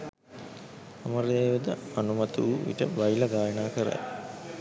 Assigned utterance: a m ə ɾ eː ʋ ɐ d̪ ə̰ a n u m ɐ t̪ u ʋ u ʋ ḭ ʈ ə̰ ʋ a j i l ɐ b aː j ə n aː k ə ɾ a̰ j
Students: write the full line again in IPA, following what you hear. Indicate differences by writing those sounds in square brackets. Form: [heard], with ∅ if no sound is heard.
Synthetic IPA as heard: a m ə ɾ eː ʋ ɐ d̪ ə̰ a n u m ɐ t̪ u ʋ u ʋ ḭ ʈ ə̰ ʋ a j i l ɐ [ɡ] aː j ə n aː k ə ɾ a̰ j